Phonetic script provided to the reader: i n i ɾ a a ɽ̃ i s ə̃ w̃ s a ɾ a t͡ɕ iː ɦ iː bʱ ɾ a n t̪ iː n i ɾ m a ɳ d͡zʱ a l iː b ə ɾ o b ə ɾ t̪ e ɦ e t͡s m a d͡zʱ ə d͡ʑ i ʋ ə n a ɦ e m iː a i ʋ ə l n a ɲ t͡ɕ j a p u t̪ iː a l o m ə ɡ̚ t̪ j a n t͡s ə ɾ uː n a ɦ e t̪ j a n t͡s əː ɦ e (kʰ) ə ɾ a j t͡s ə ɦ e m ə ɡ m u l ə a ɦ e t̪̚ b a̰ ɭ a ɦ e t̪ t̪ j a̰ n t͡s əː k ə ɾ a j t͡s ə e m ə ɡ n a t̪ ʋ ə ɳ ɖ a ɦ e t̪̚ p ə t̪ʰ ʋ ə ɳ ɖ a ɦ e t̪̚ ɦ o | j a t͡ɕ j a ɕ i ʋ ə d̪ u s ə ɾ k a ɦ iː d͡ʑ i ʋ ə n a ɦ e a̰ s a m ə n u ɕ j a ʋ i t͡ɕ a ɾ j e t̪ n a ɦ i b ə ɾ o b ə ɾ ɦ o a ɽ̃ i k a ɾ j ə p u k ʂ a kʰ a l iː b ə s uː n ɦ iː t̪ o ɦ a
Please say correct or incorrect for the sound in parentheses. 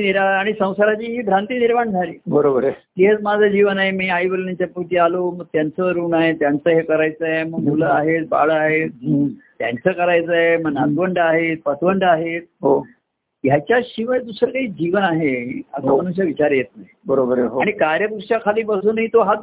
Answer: incorrect